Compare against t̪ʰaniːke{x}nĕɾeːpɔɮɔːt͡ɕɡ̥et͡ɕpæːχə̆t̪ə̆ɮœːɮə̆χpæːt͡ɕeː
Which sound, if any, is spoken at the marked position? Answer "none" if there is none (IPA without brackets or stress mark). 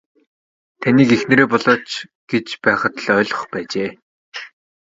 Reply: x